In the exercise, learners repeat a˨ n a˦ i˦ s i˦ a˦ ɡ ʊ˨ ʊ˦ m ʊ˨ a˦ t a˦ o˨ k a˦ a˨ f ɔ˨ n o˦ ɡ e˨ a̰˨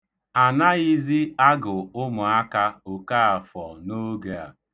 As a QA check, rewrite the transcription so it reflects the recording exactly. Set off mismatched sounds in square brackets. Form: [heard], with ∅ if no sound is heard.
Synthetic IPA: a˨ n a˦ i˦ [z] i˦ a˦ ɡ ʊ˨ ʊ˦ m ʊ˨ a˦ [k] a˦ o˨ k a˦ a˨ f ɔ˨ n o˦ ɡ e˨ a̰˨